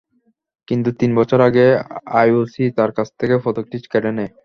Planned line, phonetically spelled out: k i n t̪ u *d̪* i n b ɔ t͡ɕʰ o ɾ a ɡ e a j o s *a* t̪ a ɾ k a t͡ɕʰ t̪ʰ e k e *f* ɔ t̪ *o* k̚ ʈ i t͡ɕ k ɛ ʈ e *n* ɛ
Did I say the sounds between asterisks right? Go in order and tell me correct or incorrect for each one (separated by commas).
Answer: incorrect, incorrect, correct, correct, correct